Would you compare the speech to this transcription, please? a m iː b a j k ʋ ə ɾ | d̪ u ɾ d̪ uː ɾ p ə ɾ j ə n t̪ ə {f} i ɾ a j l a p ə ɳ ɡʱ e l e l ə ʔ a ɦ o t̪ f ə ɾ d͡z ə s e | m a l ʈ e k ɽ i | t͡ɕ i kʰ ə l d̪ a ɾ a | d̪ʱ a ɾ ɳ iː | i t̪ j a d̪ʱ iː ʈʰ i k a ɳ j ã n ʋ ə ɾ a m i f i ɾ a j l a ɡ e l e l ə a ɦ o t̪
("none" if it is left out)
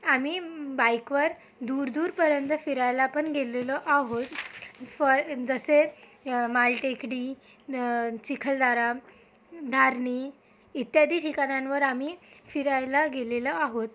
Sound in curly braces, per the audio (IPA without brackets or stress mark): f